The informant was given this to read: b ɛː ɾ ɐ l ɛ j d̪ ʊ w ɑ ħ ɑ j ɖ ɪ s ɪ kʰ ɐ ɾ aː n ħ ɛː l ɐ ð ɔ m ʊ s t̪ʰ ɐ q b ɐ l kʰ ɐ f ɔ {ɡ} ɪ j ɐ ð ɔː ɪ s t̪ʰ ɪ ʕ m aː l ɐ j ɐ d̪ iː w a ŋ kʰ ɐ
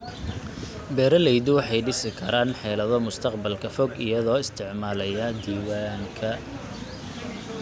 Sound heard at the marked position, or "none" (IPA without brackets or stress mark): ɡ